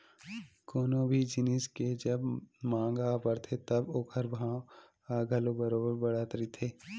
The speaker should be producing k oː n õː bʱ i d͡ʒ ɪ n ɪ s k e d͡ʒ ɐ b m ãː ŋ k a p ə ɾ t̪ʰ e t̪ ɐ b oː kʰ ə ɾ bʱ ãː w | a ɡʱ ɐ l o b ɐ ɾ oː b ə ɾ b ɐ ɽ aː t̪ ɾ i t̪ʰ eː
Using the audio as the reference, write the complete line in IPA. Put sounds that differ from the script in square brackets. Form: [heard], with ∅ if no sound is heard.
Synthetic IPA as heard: k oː n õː bʱ i d͡ʒ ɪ n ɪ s k e d͡ʒ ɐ b m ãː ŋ [ɡ] a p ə ɾ t̪ʰ e t̪ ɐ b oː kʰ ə ɾ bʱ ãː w | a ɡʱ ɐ l o b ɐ ɾ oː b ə ɾ b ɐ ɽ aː t̪ ɾ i t̪ʰ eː